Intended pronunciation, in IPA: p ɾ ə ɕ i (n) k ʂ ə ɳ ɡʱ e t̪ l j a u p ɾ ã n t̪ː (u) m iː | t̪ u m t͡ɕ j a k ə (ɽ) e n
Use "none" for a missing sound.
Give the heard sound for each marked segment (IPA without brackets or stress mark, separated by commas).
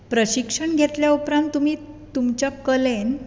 none, u, l